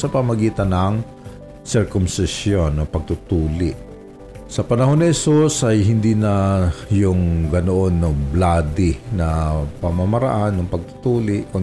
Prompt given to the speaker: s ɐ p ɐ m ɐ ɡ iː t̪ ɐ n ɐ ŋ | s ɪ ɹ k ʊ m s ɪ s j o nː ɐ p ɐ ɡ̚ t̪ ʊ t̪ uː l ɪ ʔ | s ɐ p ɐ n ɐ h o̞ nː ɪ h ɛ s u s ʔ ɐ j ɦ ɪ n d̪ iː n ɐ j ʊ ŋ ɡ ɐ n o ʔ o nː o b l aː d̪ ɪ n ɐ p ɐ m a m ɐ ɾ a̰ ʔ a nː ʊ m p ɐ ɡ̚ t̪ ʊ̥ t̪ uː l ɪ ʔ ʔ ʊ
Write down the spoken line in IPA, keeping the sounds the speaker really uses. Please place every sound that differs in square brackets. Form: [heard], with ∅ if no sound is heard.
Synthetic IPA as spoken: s ɐ p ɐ m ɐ ɡ iː t̪ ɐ n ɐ ŋ | s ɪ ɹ k ʊ m s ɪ s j o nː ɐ p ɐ ɡ̚ t̪ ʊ t̪ uː l ɪ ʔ | s ɐ p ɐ n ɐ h o̞ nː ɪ h ɛ s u s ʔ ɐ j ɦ ɪ n d̪ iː n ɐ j ʊ ŋ ɡ ɐ n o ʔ o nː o b l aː d̪ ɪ n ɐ p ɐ m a m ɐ ɾ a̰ ʔ a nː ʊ [ŋ] p ɐ ɡ̚ t̪ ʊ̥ t̪ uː l ɪ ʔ [k] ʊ